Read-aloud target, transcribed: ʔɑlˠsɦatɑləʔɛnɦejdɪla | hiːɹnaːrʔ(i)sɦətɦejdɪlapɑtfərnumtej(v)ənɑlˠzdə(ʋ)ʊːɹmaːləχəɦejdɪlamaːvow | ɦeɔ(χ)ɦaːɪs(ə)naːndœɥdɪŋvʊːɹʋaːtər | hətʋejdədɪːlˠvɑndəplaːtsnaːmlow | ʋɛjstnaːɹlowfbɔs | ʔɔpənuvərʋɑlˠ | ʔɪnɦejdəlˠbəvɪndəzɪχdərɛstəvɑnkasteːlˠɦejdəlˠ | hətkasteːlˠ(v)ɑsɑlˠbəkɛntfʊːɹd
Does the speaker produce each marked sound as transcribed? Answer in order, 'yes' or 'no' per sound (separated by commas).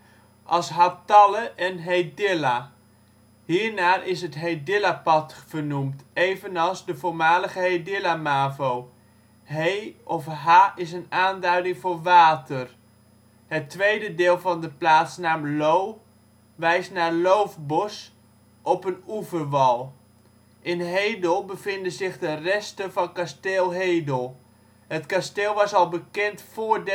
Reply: no, yes, no, no, yes, no